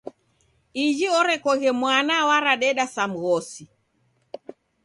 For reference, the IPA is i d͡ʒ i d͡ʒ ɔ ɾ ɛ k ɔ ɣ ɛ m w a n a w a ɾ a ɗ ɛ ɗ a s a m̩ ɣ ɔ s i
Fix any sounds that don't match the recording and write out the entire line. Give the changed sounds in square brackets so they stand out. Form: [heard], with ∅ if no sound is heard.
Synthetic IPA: i d͡ʒ i [∅] ɔ ɾ ɛ k ɔ ɣ ɛ m w a n a w a ɾ a ɗ ɛ ɗ a s a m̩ ɣ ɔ s i